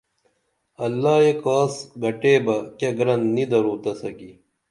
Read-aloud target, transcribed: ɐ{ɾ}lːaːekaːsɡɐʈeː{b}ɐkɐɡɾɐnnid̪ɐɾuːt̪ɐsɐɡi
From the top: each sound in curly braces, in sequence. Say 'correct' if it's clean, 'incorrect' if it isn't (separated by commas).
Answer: incorrect, correct